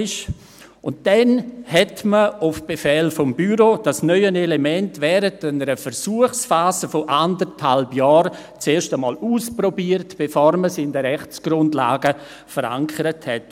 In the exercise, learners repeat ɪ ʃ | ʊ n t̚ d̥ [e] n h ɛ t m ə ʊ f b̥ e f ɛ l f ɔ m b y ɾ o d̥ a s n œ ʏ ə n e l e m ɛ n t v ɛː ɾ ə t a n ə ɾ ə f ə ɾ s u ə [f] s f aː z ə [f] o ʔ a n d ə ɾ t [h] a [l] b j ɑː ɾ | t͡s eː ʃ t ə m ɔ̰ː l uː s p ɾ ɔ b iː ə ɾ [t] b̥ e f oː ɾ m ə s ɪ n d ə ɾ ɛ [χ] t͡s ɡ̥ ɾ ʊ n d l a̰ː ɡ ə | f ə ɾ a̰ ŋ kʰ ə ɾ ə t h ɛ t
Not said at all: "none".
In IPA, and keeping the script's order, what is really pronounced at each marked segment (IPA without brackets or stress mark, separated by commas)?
ɛ, χ, f, h, l, t, χ